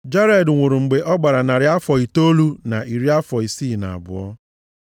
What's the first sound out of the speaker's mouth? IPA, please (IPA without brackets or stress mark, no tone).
d͡ʒ